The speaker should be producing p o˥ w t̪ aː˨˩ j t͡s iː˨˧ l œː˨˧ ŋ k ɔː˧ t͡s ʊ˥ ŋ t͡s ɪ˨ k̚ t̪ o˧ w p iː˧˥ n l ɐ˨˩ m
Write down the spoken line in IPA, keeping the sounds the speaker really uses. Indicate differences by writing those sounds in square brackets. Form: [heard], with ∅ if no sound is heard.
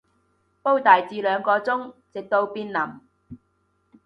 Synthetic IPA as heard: p o˥ w t̪ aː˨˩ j t͡s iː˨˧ l œː˨˧ ŋ k ɔː˧ t͡s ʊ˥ ŋ t͡s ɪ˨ k̚ t̪ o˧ w p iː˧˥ n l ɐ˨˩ m